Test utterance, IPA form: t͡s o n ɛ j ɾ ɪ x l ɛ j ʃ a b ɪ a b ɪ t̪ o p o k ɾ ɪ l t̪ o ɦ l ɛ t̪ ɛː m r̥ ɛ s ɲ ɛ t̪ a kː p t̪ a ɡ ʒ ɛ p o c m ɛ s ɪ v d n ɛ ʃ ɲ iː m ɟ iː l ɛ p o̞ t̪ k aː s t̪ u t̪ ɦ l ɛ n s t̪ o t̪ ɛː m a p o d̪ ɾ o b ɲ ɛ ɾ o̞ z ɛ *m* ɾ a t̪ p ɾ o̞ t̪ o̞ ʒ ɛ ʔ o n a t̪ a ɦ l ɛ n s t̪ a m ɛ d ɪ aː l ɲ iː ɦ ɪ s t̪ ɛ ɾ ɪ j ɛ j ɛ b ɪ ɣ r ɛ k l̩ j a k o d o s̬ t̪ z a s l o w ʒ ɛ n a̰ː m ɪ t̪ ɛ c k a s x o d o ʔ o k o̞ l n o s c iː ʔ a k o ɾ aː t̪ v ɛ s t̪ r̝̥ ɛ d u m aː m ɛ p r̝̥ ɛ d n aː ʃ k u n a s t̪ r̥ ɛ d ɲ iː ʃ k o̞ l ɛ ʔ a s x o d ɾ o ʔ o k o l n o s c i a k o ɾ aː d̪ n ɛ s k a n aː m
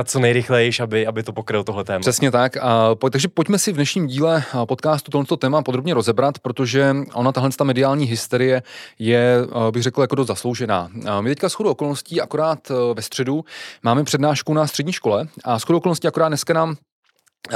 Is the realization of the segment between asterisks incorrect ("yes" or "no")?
yes